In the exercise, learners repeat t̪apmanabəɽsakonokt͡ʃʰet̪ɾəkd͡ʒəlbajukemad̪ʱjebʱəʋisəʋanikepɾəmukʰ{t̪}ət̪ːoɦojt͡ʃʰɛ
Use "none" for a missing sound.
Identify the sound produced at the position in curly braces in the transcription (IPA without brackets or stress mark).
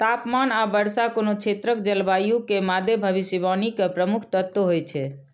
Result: t̪